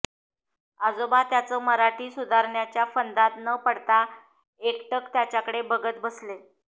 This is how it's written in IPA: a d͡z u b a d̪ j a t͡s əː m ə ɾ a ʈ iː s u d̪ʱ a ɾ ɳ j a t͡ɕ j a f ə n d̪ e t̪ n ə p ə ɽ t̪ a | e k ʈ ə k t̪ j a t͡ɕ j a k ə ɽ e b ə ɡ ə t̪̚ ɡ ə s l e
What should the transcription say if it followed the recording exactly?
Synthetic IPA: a d͡z o b a t̪ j a t͡s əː m ə ɾ a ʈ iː s u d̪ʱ a ɾ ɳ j a t͡ɕ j a f ə n d̪ a t̪ n ə p ə ɽ t̪ a | e k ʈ ə k t̪ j a t͡ɕ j a k ə ɽ e b ə ɡ ə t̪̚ b ə s l e